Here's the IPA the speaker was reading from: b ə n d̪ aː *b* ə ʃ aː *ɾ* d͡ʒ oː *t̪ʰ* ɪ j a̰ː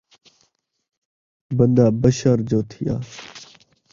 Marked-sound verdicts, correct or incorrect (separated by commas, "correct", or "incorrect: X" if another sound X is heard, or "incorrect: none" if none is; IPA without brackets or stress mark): correct, correct, correct